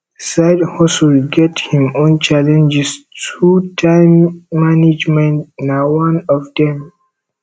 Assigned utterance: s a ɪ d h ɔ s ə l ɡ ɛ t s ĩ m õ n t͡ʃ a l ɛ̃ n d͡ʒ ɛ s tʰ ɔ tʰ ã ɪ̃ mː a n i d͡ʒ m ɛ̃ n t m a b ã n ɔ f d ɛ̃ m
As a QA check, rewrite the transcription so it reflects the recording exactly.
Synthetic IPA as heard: s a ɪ d h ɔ s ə l ɡ ɛ t h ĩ m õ n t͡ʃ a l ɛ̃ n d͡ʒ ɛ s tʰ u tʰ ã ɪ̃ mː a n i d͡ʒ m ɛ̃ n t n a w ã n ɔ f d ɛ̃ m